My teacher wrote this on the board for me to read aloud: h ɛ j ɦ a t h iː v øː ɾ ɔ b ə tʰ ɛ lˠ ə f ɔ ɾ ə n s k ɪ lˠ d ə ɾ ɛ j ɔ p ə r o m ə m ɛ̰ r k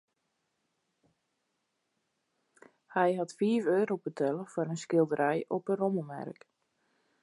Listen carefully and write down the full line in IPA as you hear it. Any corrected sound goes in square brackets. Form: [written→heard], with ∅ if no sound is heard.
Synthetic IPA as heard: h ɛ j ɦ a t [h→f] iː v øː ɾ [ɔ→o] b ə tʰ ɛ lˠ ə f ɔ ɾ ə n s k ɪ lˠ d ə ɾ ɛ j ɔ p ə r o m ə m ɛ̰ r k